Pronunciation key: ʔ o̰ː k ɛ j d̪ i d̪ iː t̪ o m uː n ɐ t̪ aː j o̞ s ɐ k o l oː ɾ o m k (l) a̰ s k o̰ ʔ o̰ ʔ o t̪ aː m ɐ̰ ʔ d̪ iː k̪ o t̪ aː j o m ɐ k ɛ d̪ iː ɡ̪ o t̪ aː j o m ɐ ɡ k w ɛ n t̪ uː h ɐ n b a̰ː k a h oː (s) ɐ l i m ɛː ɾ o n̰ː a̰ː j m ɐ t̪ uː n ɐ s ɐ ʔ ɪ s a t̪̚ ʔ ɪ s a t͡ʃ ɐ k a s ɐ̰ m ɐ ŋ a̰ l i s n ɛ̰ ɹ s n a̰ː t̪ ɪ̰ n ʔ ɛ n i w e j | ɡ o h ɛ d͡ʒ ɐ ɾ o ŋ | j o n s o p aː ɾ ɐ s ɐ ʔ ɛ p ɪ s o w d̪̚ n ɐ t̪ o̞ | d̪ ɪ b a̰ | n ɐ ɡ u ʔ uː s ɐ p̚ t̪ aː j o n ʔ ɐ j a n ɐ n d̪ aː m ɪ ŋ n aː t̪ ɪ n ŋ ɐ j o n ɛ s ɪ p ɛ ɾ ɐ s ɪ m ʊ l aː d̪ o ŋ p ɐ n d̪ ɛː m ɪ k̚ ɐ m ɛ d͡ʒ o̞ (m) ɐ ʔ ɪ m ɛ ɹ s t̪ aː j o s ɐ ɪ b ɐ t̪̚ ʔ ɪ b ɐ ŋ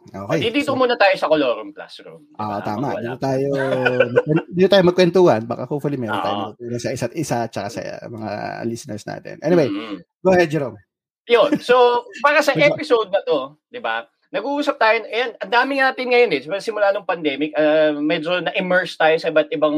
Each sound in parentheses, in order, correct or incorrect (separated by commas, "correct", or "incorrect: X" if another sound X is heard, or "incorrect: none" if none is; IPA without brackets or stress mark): correct, incorrect: f, incorrect: n